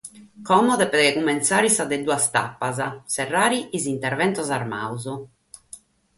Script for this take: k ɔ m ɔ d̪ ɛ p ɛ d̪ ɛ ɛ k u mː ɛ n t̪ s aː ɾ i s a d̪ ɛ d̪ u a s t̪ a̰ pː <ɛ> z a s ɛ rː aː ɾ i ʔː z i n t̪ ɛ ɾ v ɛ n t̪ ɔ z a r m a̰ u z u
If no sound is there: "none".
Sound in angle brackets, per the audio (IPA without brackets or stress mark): a